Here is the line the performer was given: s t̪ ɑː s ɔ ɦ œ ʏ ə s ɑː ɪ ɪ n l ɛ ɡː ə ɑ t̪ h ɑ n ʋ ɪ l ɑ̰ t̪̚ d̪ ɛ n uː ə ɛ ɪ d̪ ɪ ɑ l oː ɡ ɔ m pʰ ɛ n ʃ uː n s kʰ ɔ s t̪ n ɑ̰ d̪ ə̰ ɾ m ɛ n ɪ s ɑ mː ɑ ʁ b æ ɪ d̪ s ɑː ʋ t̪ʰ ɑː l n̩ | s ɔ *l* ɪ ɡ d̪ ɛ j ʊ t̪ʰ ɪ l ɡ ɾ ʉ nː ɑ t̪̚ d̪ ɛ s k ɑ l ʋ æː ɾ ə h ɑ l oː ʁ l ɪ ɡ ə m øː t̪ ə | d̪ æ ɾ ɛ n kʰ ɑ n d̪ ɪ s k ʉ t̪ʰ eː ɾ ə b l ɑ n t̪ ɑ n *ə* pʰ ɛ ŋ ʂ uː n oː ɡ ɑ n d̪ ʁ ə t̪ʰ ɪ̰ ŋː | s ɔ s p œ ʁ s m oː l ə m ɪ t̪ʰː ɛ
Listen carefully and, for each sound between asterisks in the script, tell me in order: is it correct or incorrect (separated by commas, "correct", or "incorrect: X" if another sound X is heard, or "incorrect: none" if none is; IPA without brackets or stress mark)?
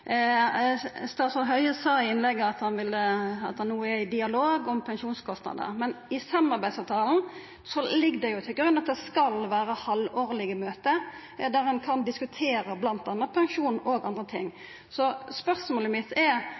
correct, correct